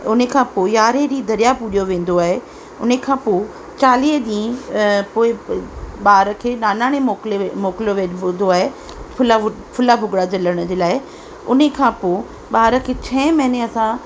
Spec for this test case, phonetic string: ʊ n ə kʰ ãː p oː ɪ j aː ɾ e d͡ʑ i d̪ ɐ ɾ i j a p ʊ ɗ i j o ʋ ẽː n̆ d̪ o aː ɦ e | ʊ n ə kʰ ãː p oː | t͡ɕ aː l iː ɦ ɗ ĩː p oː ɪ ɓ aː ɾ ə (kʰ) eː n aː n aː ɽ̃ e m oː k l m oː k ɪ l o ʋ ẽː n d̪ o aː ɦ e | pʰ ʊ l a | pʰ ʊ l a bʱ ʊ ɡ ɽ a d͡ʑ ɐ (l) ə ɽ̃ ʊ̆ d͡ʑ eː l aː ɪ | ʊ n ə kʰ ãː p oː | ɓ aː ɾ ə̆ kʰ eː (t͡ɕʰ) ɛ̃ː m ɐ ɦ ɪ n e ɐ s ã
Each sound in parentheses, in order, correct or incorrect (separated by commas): correct, correct, correct